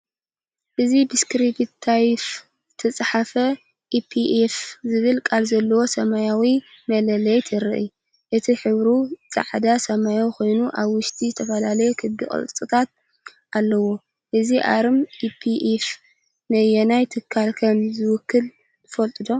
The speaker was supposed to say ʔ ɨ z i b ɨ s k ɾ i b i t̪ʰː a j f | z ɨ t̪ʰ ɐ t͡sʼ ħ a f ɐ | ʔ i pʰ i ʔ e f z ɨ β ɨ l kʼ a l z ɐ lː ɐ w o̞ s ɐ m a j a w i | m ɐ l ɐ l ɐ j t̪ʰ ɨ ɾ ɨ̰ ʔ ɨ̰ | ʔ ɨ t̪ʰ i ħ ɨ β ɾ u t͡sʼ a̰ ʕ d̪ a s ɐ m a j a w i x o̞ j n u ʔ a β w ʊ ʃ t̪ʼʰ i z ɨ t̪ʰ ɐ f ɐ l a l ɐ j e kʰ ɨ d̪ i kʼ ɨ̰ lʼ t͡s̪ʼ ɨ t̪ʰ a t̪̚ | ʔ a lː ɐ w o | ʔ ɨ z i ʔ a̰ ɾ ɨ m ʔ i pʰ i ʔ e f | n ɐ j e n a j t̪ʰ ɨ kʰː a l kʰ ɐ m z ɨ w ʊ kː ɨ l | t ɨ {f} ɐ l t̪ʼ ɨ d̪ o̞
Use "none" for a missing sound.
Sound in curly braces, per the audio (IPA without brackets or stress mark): f